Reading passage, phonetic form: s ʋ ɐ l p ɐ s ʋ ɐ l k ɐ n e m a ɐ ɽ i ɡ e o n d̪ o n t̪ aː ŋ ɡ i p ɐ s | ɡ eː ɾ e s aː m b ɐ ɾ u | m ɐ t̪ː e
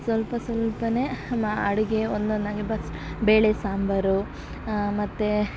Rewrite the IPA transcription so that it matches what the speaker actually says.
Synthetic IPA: s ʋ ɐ l p ɐ s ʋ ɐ l p ɐ n e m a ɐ ɽ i ɡ e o n d̪ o n d̪ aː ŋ ɡ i b ɐ s | b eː ɭ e s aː m b ɐ ɾ u | m ɐ t̪ː e